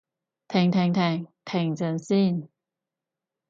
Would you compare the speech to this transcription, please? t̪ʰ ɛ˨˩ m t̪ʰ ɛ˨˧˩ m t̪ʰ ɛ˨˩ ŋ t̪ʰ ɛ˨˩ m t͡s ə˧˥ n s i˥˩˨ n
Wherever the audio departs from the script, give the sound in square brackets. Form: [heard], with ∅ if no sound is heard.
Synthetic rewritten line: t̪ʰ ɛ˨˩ [ŋ] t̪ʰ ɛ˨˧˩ [ŋ] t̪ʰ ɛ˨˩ ŋ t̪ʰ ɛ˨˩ [ŋ] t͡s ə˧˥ n s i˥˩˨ n